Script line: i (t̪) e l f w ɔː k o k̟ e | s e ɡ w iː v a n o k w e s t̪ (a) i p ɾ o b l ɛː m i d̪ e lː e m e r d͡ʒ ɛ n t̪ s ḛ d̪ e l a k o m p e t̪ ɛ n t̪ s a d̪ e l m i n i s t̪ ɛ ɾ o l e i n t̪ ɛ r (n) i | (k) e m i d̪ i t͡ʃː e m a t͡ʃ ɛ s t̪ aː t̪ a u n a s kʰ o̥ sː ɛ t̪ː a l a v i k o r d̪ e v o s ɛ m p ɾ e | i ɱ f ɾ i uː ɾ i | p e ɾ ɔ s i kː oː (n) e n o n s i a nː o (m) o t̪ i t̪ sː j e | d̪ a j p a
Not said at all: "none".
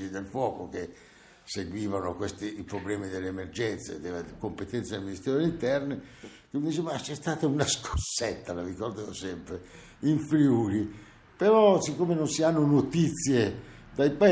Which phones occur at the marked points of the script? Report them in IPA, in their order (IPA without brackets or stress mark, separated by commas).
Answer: d̪, i, n, k, m, n